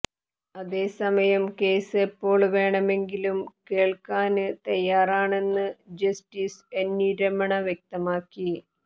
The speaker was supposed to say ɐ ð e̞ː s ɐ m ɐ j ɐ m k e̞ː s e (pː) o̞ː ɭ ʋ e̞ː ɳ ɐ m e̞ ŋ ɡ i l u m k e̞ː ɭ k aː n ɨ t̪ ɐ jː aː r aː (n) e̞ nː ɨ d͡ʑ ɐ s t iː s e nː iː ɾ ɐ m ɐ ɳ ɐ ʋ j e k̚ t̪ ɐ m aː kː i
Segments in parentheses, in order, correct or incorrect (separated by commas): correct, incorrect